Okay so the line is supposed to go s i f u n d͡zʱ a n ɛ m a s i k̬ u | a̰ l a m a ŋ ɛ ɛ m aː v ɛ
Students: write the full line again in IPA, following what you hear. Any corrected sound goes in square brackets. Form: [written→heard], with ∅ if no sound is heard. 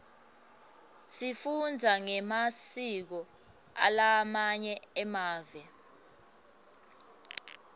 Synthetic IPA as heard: s i f u n d͡zʱ a [n→ŋ] ɛ m a s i k̬ [u→ɔ] | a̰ l a m a [ŋ→ɲ] ɛ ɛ m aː v ɛ